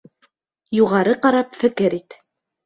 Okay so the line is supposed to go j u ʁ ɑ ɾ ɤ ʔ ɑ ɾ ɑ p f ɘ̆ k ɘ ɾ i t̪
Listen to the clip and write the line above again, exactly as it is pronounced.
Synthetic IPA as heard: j u ʁ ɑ ɾ ɤ q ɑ ɾ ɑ p f ɘ̆ k ɘ ɾ i t̪